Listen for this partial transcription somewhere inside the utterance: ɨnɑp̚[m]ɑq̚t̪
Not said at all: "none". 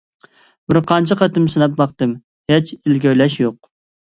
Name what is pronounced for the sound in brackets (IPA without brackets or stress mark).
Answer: b